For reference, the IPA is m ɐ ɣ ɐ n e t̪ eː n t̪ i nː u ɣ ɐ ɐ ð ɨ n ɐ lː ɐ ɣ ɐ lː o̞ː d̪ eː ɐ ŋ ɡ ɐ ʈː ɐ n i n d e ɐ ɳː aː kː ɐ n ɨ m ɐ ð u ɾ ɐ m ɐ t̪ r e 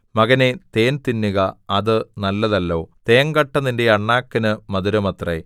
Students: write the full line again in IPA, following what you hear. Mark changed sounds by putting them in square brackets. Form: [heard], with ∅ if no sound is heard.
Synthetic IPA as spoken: m ɐ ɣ ɐ n e t̪ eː n t̪ i nː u ɣ ɐ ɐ ð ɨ n ɐ lː ɐ [ð] ɐ lː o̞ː [t̪] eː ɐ ŋ ɡ ɐ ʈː ɐ n i n d e ɐ ɳː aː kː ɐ n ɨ m ɐ ð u ɾ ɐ m ɐ t̪ r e